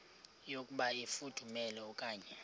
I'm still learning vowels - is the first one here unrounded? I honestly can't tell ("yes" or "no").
no